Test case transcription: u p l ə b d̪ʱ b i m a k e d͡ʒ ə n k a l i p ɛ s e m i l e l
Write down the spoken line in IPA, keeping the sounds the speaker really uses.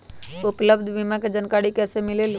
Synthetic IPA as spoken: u p l ə b d̪ʱ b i m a k e d͡ʒ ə n k a ɽ i k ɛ s e m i l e l

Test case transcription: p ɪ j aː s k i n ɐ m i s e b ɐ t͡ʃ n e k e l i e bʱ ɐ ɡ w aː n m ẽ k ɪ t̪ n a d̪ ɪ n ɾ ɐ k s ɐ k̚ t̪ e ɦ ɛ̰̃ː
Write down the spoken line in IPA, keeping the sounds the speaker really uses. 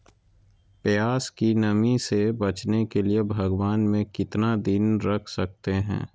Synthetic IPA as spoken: p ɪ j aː s k i n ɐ m i s e b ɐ t͡ʃ n e k e l i e bʱ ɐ ɡ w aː n m ẽ k ɪ t̪ n a d̪ ɪ n ɾ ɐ kʰ s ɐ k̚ t̪ e ɦ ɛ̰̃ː

